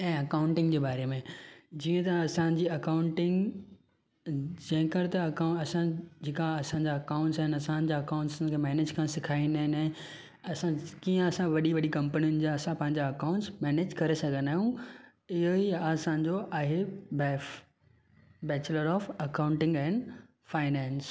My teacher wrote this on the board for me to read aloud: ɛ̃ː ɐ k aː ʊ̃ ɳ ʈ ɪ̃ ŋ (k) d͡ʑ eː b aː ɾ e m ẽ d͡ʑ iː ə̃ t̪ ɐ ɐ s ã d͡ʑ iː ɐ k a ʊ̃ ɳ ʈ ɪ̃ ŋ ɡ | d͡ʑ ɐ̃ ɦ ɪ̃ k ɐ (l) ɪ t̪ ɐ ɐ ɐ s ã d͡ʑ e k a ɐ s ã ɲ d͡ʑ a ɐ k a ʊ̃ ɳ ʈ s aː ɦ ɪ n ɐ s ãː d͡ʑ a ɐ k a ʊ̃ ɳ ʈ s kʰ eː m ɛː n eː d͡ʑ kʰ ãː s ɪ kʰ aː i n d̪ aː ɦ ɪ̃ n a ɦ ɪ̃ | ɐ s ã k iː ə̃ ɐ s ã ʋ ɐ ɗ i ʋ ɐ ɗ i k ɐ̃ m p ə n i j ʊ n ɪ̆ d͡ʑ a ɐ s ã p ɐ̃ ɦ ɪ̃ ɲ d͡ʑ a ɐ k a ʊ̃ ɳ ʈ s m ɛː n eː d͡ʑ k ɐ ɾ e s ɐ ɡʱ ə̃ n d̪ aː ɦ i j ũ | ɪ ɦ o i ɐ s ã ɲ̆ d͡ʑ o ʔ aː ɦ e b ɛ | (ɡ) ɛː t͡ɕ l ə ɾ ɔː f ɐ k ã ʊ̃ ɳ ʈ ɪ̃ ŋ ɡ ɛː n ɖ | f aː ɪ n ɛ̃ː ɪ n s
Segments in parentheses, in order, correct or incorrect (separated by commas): incorrect, incorrect, incorrect